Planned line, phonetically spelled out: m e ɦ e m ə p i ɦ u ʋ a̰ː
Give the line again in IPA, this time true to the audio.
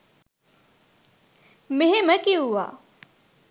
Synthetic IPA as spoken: m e ɦ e m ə k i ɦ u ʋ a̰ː